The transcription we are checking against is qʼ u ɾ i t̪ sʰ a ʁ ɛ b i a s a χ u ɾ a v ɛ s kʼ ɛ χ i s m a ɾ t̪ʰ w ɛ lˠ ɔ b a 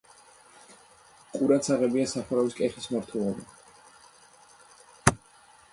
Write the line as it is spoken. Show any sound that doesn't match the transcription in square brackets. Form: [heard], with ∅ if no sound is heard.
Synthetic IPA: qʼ u ɾ [a] t̪ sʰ a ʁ ɛ b i a s a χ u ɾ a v [i] s kʼ ɛ χ i s m a ɾ t̪ʰ w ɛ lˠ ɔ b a